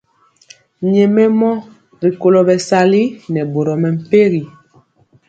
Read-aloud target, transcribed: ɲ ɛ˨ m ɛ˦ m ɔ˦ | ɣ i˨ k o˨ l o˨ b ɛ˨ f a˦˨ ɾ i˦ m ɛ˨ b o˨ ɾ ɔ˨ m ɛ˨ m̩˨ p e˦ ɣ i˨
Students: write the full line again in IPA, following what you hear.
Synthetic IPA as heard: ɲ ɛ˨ m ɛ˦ m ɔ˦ | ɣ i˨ k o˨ l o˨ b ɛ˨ s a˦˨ l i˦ n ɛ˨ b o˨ ɾ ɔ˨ m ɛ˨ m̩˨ p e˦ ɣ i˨

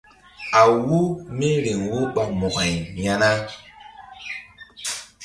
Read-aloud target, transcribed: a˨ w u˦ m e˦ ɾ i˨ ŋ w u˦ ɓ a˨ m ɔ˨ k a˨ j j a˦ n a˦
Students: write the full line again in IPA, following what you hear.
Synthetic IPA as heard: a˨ w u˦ m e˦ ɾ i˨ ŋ w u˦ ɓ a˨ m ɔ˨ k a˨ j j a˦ n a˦

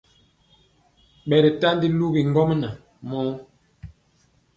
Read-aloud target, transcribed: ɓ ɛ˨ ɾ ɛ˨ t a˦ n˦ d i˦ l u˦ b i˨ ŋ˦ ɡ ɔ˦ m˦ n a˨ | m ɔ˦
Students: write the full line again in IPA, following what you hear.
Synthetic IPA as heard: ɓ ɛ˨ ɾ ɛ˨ t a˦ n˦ d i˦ l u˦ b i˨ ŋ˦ ɡ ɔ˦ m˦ n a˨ | m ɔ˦

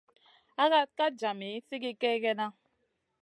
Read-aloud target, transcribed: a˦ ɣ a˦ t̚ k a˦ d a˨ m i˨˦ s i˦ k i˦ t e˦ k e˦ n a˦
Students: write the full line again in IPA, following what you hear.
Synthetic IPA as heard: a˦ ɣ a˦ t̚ k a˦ d͡ʒ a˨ m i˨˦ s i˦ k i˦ k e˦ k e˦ n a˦

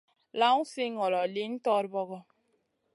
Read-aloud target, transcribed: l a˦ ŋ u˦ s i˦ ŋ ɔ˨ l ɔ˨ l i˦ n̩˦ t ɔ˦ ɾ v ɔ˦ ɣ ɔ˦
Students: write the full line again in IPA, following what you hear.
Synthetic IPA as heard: l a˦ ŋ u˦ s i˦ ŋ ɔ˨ l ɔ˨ l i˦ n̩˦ t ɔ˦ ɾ b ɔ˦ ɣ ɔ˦

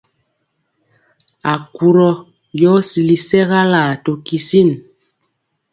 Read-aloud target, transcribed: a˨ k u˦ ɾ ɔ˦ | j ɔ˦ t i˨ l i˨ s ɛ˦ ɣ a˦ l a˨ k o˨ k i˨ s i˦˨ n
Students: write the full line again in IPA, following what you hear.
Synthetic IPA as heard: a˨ k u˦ ɾ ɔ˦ | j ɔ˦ s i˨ l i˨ s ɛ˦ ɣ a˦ l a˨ t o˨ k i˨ s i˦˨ n

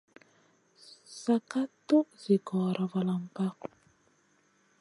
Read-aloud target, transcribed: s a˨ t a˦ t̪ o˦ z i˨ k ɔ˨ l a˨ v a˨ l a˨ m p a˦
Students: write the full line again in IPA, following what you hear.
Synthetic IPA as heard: s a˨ k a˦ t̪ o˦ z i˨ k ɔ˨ ɾ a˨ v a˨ l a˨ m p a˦

